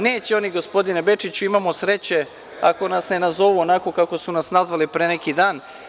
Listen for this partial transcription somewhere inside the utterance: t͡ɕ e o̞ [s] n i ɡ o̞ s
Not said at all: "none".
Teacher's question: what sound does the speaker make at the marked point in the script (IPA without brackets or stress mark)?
none